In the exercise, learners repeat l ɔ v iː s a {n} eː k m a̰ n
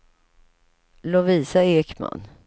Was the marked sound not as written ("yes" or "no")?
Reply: yes